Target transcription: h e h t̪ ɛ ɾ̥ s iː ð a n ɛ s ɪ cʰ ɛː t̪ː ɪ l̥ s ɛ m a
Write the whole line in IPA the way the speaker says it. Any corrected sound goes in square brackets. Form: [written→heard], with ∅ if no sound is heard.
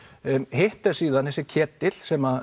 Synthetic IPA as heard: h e h t̪ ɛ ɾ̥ s iː ð a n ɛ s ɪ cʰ ɛː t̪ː ɪ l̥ s ɛ m a